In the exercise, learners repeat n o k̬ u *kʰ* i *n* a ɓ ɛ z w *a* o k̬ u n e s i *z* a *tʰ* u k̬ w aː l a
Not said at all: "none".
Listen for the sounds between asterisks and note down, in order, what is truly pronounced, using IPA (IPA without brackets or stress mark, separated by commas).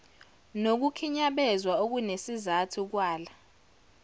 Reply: kʰ, ɲ, a, z, tʰ